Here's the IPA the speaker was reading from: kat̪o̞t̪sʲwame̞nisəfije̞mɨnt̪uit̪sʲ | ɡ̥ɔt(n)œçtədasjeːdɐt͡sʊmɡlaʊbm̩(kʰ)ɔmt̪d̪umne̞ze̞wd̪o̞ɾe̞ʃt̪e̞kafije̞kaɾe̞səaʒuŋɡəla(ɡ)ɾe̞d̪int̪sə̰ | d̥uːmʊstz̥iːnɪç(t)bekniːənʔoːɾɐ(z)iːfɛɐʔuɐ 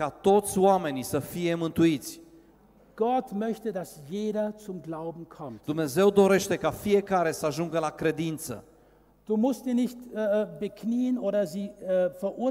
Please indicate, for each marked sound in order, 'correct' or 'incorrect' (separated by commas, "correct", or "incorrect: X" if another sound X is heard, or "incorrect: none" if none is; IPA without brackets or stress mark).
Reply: incorrect: m, correct, incorrect: k, correct, correct